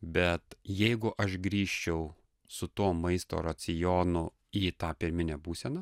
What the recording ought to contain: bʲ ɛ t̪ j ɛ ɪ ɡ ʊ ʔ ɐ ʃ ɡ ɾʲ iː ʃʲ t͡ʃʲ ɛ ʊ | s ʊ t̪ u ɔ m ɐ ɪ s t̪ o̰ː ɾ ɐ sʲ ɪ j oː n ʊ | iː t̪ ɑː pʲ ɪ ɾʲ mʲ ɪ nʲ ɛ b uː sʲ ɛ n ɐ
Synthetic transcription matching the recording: bʲ ɛ t̪ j ɛ ɪ ɡ ʊ ʔ ɐ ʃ ɡ ɾʲ iː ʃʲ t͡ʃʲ ɛ ʊ | s ʊ t̪ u ɔ m ɐ ɪ s t̪ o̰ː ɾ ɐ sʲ ɪ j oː n ʊ | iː t̪ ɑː pʲ ɪ ɾʲ mʲ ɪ nʲ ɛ b uː sʲ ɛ n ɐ